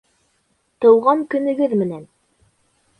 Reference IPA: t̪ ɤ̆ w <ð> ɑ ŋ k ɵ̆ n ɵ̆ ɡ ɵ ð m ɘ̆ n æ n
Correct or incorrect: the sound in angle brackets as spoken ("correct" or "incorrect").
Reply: incorrect